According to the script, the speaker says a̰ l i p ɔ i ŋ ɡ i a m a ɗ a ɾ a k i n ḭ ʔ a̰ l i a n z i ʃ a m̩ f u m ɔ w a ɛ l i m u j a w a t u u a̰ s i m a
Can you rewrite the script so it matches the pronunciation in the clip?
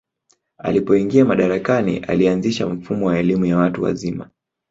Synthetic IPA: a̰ l i p ɔ i ŋ ɡ i a m a ɗ a ɾ a k a n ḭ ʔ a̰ l i a n z i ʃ a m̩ f u m ɔ w a ɛ l i m u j a w a t u w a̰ z i m a